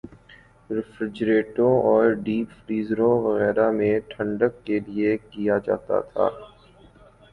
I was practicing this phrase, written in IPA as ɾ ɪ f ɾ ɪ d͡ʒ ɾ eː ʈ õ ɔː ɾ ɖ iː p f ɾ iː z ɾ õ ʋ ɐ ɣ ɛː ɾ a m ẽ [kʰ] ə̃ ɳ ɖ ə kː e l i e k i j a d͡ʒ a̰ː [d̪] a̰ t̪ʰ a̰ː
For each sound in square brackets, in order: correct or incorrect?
incorrect, incorrect

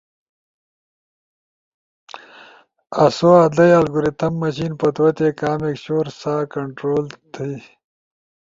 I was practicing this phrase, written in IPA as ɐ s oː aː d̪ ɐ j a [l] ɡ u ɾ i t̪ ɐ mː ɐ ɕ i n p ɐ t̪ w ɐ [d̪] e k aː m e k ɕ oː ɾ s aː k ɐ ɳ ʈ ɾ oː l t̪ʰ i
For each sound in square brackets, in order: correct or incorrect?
correct, incorrect

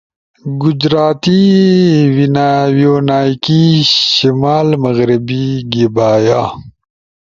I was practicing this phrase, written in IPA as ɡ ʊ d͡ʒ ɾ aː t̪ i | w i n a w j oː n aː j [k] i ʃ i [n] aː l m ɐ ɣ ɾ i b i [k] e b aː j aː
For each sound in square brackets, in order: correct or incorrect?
correct, incorrect, incorrect

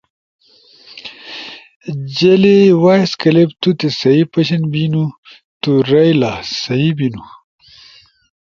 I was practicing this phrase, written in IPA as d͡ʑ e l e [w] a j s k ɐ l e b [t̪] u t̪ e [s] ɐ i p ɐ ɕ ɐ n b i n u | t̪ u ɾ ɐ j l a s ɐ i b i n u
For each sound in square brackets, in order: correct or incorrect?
correct, correct, correct

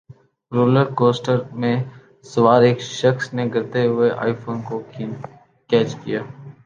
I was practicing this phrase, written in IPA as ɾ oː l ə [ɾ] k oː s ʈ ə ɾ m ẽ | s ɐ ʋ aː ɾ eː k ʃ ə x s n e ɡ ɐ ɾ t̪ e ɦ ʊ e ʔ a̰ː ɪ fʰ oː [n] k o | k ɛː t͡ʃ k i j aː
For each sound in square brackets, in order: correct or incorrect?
correct, correct

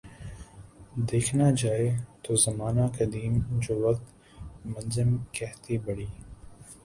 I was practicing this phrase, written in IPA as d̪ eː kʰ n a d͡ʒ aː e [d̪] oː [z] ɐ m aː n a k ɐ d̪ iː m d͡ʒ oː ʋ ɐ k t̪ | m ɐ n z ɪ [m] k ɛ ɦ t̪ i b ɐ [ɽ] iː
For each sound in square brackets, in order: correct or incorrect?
incorrect, correct, correct, correct

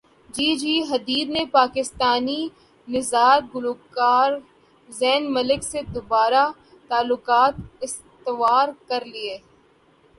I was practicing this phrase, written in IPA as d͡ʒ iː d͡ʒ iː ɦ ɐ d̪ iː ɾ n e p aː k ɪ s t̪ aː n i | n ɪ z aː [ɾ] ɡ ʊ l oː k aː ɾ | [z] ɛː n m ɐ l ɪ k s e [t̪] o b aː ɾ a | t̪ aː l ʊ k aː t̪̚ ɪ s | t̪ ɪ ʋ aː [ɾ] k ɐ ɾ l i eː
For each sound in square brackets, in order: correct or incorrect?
correct, correct, incorrect, correct

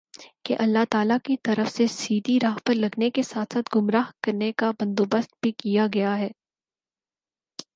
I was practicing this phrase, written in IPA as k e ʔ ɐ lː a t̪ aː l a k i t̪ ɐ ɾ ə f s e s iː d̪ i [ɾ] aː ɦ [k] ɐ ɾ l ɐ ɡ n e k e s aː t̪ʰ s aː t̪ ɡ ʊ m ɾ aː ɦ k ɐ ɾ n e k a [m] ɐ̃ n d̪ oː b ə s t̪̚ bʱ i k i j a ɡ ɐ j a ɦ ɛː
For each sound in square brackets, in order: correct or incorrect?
correct, incorrect, incorrect

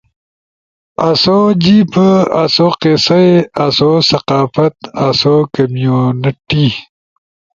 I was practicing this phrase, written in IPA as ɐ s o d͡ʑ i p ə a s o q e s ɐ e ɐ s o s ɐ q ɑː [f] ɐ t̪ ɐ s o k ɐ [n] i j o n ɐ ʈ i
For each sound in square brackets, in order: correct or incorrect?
correct, incorrect

